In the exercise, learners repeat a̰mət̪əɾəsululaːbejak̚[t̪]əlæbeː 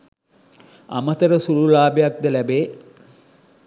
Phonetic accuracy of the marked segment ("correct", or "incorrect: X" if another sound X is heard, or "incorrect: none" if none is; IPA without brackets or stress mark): incorrect: d̪